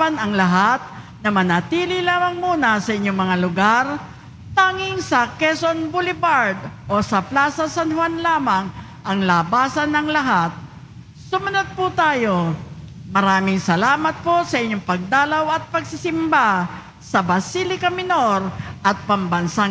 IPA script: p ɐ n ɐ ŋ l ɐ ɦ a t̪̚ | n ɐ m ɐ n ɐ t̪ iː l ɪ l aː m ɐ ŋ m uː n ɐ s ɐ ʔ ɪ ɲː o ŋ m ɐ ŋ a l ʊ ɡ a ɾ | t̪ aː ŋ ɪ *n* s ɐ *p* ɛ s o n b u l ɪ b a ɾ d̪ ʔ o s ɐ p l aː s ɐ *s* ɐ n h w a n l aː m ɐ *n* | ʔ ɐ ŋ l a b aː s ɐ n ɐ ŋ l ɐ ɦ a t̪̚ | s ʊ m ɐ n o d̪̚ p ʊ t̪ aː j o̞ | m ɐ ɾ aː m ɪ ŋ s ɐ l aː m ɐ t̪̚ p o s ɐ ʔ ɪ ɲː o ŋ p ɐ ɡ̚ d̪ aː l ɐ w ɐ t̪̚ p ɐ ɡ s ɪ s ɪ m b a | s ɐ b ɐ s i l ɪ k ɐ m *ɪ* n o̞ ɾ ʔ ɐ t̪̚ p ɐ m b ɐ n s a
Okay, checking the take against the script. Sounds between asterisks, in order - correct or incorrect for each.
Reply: incorrect: ŋ, incorrect: k, correct, incorrect: ŋ, correct

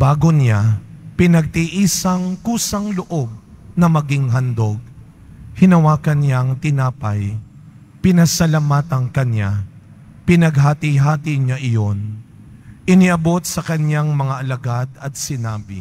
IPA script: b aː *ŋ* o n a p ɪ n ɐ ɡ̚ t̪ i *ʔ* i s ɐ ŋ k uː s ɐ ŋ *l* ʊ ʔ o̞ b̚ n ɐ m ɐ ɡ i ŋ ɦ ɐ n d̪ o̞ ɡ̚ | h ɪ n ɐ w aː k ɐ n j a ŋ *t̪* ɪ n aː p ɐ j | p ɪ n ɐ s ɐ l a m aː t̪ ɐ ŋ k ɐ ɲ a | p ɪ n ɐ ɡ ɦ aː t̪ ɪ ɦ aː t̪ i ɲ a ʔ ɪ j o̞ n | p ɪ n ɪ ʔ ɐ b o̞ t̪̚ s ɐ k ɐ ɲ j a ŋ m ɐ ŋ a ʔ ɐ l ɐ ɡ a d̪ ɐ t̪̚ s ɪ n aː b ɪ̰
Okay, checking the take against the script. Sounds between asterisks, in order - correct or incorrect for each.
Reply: incorrect: ɡ, correct, correct, correct

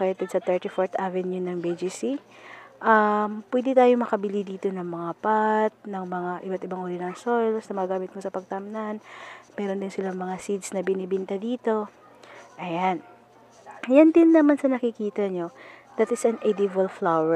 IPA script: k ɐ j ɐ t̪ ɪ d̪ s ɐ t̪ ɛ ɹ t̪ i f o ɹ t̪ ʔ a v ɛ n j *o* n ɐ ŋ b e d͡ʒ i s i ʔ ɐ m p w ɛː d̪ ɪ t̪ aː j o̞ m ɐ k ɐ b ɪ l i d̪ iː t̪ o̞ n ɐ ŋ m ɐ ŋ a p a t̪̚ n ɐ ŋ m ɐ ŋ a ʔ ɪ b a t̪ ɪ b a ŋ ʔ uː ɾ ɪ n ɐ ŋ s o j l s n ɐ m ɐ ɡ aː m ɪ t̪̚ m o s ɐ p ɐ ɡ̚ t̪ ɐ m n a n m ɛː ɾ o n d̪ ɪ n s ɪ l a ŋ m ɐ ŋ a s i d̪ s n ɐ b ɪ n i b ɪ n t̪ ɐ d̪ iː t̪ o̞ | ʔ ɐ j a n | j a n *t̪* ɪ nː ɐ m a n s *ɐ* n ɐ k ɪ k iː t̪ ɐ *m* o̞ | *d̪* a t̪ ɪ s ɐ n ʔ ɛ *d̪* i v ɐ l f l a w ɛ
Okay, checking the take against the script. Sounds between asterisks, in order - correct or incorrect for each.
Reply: incorrect: u, incorrect: d̪, correct, incorrect: ɲ, correct, correct

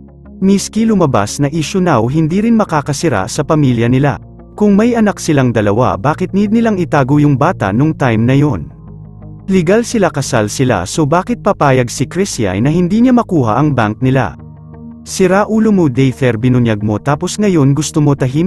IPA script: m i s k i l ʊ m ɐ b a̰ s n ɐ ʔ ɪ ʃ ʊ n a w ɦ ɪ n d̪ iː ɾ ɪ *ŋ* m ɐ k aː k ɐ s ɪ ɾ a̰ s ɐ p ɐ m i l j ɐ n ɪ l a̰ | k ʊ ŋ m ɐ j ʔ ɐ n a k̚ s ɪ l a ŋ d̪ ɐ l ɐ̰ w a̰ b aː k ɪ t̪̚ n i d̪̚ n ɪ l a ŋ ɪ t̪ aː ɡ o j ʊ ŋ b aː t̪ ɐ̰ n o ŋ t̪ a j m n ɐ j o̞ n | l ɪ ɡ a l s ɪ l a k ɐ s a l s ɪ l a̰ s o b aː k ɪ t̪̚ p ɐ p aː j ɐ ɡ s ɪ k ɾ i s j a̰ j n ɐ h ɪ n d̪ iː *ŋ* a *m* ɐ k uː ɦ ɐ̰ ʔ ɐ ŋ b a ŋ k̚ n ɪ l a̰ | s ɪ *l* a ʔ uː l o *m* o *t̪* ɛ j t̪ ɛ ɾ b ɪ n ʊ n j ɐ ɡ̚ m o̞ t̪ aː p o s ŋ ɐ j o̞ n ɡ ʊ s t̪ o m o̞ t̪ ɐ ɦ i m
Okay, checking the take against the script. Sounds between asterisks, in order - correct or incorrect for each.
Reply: incorrect: n, incorrect: ɲ, correct, incorrect: ɾ, correct, incorrect: d̪

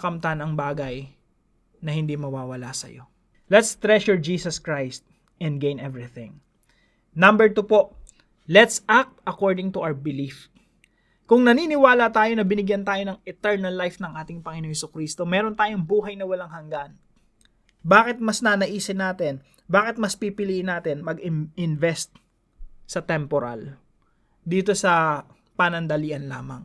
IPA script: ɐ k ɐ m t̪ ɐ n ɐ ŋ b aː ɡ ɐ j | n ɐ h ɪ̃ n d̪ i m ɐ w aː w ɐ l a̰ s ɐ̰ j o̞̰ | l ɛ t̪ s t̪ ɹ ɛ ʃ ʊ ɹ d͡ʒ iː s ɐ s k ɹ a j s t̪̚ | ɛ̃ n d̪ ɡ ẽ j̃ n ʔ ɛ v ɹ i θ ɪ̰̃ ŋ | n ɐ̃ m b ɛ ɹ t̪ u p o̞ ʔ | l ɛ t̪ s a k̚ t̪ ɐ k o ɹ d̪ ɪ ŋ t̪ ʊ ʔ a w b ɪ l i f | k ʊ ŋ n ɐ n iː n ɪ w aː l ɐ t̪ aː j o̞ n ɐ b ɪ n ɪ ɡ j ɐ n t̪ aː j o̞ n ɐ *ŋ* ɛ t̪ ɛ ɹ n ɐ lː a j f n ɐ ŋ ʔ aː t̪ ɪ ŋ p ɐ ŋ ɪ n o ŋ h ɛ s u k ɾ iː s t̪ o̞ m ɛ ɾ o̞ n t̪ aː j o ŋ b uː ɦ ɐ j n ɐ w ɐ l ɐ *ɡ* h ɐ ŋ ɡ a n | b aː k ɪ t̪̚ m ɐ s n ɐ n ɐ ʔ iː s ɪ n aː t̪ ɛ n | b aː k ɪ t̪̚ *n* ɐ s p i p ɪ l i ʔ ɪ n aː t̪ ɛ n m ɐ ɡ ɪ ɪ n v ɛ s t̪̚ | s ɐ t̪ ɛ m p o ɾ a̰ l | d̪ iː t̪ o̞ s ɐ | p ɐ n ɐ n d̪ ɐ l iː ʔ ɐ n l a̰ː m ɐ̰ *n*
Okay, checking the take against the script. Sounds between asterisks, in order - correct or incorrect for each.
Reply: correct, incorrect: ŋ, incorrect: m, incorrect: ŋ

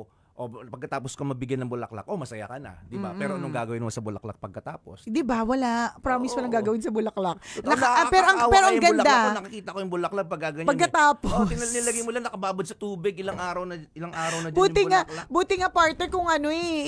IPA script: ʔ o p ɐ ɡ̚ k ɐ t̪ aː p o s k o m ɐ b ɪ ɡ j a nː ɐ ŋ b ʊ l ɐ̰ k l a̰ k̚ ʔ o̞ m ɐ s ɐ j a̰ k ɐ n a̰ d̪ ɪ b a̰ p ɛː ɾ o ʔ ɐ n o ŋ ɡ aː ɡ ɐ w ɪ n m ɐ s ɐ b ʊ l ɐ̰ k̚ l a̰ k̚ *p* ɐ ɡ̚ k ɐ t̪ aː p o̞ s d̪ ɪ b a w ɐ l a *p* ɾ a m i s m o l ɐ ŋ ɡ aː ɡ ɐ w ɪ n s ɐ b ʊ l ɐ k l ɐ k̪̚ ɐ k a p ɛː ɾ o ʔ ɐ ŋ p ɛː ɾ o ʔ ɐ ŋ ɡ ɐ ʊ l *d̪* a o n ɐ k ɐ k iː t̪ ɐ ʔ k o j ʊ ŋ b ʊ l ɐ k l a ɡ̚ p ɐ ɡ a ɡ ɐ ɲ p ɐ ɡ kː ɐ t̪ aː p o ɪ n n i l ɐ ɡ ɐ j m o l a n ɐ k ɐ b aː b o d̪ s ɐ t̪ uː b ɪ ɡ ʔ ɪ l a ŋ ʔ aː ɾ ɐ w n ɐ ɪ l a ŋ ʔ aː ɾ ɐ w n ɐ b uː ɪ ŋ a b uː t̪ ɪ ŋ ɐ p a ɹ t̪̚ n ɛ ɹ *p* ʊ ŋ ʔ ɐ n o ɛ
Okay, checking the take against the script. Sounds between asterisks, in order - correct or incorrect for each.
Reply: correct, correct, correct, incorrect: k

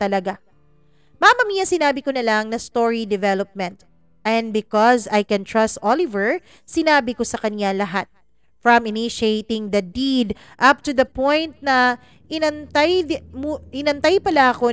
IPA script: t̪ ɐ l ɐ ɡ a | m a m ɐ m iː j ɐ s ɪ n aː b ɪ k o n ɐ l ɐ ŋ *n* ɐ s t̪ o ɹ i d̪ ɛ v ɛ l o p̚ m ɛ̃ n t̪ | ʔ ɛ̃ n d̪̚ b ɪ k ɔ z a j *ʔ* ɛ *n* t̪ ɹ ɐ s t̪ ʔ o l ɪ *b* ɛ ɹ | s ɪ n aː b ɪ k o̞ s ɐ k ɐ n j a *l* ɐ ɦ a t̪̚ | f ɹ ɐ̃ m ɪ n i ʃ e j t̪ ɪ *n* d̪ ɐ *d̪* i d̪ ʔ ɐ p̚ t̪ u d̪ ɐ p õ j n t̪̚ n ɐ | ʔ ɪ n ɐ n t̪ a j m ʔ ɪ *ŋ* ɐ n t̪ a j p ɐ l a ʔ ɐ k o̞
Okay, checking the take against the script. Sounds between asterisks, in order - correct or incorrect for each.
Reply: correct, incorrect: k, correct, incorrect: v, correct, incorrect: ŋ, correct, incorrect: n

